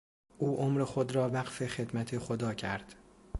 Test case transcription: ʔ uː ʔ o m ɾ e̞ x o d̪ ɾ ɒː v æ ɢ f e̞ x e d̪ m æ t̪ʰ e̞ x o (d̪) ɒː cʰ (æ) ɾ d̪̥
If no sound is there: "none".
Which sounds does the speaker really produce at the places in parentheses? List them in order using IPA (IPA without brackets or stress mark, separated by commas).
d̪, æ